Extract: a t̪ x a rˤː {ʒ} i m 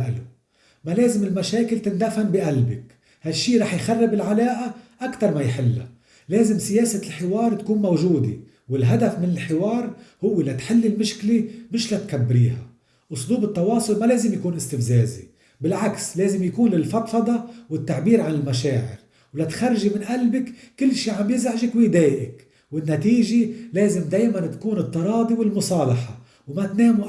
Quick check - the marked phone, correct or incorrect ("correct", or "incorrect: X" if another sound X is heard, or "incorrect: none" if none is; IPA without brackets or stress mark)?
correct